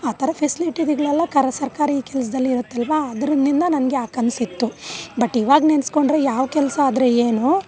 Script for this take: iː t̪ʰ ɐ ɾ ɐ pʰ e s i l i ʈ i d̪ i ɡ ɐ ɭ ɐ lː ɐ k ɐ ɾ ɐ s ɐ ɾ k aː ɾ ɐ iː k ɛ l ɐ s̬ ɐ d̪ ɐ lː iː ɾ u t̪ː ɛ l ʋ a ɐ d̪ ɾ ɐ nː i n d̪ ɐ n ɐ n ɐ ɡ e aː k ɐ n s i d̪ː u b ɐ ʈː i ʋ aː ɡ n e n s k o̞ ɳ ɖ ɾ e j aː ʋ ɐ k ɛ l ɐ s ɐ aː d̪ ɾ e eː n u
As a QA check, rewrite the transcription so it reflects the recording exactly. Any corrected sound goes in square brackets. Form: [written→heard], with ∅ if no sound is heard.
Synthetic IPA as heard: [iː→aː] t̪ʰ ɐ ɾ ɐ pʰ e s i l i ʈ i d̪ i ɡ ɐ ɭ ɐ lː ɐ k ɐ ɾ ɐ s ɐ ɾ k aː ɾ ɐ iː k ɛ l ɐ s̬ ɐ d̪ ɐ lː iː ɾ u t̪ː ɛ l ʋ a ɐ d̪ ɾ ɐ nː i n d̪ ɐ n ɐ n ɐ ɡ e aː k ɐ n s i [d̪ː→t̪ː] u b ɐ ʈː i ʋ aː ɡ n e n s k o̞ ɳ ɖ ɾ e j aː ʋ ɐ k ɛ l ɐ s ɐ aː d̪ ɾ e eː n u

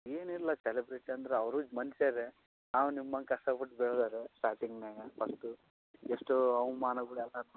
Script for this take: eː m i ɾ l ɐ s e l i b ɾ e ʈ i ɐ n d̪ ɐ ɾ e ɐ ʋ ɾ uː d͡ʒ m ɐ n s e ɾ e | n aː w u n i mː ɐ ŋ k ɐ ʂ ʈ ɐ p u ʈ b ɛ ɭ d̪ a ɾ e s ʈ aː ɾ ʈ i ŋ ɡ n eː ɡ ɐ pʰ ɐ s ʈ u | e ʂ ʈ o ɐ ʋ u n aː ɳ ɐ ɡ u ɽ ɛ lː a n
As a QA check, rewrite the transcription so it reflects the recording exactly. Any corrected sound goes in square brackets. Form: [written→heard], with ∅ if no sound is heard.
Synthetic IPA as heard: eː [m→n] i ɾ l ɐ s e l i b ɾ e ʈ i ɐ n d̪ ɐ ɾ e ɐ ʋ ɾ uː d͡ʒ m ɐ n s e ɾ e | n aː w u n i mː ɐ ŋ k ɐ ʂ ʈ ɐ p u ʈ b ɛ ɭ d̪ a ɾ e s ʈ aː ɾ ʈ i ŋ ɡ n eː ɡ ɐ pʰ ɐ s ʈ u | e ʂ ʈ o ɐ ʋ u [n→m] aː [ɳ→n] ɐ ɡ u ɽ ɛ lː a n

